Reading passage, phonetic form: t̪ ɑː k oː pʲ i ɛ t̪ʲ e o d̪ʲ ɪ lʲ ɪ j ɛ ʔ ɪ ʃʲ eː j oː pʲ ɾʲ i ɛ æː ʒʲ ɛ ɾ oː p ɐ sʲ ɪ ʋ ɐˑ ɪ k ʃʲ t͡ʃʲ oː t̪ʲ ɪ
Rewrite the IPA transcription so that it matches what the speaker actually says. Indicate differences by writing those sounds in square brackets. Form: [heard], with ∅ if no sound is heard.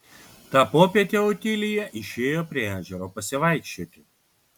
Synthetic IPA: t̪ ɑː [p] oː pʲ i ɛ t̪ʲ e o [t̪ʲ] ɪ lʲ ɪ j ɛ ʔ ɪ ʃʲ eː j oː pʲ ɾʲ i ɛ æː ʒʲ ɛ ɾ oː p ɐ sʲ ɪ ʋ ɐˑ ɪ k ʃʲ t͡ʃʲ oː t̪ʲ ɪ